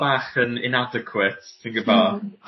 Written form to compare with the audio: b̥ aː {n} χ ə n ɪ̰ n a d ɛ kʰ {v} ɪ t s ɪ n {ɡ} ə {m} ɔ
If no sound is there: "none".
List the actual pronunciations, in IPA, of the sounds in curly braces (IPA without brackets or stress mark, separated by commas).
none, w, ɡ, b